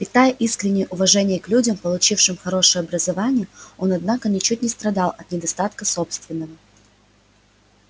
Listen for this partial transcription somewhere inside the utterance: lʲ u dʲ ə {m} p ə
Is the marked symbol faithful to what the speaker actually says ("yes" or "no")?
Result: yes